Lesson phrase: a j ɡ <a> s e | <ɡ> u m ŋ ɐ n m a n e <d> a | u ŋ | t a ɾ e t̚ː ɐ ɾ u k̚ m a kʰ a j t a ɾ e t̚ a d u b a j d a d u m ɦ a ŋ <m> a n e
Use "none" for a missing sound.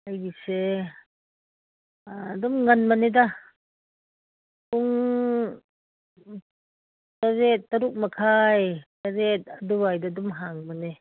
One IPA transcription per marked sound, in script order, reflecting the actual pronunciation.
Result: i, d, d, m

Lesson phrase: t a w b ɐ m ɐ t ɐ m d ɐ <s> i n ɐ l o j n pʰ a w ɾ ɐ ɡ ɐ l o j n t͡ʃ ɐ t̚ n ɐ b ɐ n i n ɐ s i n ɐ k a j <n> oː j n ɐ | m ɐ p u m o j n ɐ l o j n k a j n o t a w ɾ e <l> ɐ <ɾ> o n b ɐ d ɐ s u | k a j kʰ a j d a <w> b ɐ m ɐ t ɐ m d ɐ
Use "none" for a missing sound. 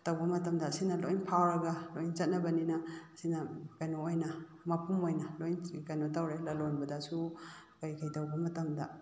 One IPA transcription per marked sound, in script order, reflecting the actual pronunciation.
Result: s, n, l, l, w

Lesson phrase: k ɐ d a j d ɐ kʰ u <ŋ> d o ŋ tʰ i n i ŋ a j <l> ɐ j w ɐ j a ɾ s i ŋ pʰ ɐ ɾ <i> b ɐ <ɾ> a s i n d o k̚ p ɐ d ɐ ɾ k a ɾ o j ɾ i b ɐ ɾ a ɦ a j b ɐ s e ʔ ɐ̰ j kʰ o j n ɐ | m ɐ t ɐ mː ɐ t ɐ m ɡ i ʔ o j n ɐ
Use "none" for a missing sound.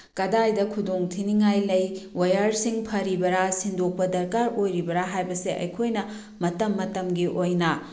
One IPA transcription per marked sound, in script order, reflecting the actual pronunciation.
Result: none, l, i, ɾ

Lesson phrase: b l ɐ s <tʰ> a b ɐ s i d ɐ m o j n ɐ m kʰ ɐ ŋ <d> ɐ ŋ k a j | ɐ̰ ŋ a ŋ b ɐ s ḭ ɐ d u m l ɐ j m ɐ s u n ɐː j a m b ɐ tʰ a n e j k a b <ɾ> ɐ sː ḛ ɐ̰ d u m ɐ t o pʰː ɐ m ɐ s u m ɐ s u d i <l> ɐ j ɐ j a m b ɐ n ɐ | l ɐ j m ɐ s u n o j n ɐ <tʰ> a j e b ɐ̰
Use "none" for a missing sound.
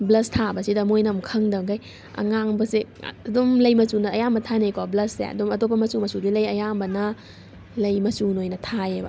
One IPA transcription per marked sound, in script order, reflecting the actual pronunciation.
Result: tʰ, d, l, l, tʰ

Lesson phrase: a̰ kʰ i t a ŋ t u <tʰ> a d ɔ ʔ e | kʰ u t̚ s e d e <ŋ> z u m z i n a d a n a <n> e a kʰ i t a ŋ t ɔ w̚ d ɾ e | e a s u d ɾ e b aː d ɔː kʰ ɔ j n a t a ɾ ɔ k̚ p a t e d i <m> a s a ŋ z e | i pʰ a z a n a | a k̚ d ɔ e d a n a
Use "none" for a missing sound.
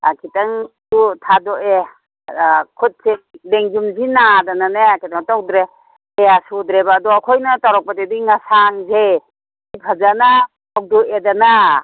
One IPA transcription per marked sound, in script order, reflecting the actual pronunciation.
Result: tʰ, ŋ, n, ŋ

